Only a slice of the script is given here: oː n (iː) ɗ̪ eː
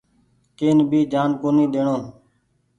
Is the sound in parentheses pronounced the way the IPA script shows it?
yes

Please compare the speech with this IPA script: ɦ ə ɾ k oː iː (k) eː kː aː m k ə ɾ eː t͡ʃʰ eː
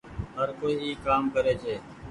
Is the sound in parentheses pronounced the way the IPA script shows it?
no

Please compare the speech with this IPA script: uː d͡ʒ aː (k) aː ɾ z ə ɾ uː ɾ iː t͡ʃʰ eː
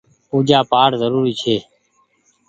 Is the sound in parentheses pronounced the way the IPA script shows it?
no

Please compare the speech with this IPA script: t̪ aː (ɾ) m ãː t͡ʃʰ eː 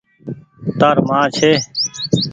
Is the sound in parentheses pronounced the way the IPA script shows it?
yes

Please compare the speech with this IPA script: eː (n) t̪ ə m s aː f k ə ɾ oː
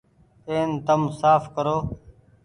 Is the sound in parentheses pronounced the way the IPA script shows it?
yes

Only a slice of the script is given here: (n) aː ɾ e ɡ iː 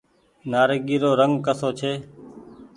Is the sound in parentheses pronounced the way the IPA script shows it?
yes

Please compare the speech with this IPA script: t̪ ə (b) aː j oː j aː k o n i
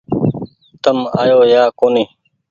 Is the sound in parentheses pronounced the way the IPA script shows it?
no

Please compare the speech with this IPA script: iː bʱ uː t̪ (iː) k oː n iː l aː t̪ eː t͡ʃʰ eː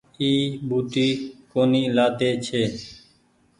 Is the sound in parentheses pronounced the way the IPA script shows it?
yes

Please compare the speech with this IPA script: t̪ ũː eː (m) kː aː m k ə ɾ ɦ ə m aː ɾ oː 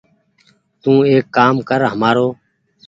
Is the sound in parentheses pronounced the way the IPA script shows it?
no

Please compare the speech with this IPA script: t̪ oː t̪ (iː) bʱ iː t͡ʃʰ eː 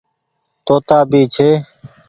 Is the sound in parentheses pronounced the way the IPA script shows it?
no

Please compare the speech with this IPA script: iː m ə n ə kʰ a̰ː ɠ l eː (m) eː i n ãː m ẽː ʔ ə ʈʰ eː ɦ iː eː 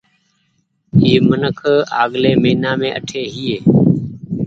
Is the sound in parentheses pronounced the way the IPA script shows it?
yes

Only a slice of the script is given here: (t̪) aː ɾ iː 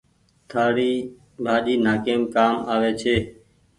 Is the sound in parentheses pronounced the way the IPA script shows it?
no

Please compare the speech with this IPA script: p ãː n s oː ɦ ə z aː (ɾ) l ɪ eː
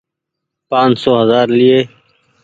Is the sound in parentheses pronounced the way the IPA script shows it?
yes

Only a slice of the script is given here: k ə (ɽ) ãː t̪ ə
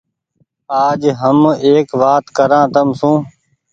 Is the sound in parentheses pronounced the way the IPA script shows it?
no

